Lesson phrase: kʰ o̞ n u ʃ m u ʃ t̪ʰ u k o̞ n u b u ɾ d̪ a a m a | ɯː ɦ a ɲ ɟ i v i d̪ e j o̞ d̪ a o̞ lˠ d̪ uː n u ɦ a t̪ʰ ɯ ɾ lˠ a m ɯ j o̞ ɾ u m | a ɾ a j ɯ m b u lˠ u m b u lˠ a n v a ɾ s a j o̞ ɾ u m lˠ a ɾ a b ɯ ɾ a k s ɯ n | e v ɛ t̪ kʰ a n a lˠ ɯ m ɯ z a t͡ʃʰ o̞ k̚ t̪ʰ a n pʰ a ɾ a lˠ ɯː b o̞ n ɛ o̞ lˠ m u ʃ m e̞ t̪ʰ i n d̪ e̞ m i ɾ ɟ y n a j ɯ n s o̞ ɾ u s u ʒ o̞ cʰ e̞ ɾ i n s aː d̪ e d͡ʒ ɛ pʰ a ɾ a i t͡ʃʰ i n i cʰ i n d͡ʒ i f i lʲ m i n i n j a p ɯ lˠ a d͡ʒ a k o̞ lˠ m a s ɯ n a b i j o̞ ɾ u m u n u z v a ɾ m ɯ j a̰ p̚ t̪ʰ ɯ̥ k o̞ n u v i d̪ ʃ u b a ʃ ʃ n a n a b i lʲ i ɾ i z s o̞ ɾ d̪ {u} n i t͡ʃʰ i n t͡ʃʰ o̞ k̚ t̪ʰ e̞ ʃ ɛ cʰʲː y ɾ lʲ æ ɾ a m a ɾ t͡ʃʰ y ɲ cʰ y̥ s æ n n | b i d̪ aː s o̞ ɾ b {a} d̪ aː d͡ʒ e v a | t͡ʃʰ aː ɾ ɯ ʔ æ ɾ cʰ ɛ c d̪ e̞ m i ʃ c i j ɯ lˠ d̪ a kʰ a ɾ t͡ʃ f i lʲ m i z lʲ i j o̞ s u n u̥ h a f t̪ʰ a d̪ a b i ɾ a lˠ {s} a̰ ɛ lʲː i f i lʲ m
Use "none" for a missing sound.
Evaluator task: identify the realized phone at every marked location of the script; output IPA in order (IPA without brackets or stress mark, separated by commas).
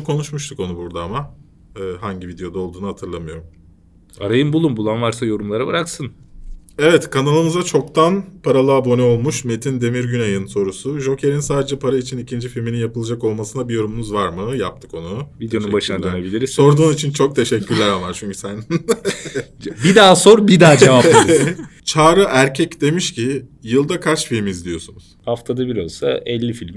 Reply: uː, i, s